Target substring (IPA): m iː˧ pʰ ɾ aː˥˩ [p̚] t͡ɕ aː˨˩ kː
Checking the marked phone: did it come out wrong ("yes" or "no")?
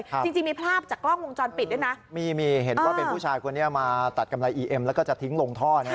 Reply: no